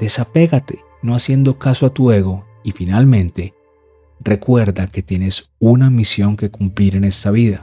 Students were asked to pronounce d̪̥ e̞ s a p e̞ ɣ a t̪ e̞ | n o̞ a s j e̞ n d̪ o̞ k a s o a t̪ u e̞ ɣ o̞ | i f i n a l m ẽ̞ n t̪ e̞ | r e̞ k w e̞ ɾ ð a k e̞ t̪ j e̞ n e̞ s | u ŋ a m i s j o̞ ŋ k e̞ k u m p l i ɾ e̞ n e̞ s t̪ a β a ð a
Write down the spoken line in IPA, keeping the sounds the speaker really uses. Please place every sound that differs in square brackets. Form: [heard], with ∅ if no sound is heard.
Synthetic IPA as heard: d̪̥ e̞ s a p e̞ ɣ a t̪ e̞ | n o̞ a s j e̞ n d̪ o̞ k a s o a t̪ u e̞ ɣ o̞ | i f i n a l m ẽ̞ n t̪ e̞ | r e̞ k w e̞ ɾ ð a k e̞ t̪ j e̞ n e̞ s | u [n] a m i s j o̞ ŋ k e̞ k u m p l i ɾ e̞ n e̞ s t̪ a β [i] ð a